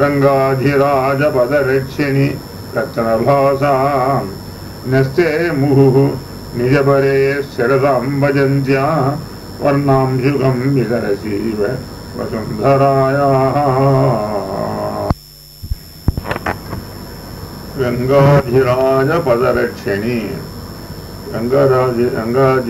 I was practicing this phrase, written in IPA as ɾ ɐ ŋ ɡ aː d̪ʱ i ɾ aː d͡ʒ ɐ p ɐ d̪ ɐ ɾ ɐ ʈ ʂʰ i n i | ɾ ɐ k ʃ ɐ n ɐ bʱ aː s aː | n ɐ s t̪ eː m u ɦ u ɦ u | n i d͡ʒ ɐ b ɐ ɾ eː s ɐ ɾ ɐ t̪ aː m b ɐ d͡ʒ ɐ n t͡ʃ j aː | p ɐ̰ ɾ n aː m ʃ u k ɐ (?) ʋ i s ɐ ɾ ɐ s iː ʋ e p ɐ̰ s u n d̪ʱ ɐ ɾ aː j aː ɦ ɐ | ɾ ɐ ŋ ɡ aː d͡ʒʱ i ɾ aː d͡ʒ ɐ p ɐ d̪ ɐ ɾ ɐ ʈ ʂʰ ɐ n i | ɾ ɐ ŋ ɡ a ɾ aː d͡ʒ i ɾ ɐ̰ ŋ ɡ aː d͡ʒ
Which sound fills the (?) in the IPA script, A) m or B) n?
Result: A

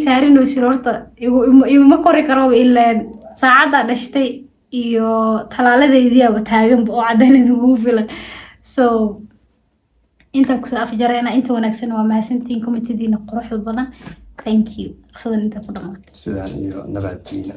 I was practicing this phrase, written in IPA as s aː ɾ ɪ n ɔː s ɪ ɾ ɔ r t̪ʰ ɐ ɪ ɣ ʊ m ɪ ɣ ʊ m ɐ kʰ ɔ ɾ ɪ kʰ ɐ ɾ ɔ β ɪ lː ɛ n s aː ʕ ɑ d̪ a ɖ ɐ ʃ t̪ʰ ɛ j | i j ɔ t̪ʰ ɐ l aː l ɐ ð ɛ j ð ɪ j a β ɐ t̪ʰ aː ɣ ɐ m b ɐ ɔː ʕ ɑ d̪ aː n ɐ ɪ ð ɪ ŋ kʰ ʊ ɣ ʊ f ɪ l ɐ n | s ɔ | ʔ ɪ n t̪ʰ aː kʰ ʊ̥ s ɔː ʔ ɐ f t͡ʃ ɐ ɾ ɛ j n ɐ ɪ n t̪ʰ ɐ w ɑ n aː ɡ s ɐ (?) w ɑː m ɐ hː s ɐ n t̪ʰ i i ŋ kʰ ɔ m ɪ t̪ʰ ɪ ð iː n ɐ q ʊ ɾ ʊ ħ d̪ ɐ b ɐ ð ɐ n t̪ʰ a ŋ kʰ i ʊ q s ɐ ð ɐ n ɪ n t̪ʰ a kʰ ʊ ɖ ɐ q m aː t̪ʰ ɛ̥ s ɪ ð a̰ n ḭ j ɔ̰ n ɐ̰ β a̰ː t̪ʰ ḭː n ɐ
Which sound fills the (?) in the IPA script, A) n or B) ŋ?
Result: A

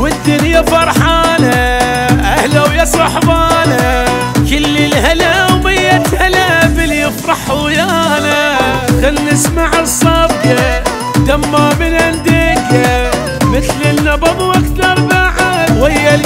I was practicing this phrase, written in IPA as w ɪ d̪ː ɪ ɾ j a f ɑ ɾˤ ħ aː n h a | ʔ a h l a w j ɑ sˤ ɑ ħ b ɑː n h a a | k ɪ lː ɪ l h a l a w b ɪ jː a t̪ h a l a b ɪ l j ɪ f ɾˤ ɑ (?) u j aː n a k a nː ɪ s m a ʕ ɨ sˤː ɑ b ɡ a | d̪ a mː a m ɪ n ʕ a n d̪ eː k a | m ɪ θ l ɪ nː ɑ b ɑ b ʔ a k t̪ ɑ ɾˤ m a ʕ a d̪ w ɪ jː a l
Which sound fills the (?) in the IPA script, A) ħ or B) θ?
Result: A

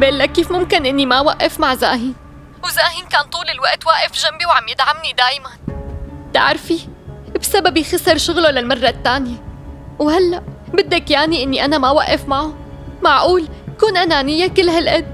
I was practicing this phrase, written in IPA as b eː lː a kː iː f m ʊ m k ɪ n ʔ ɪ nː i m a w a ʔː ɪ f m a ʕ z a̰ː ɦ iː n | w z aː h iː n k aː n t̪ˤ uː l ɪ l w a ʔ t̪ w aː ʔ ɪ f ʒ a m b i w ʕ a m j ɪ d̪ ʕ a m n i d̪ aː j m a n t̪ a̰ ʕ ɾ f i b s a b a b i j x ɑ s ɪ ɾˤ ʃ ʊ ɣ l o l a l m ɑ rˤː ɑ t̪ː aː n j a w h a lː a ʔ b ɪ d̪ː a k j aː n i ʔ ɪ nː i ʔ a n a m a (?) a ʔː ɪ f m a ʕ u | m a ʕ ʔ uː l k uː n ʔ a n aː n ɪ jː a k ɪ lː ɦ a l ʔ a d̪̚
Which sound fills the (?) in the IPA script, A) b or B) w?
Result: B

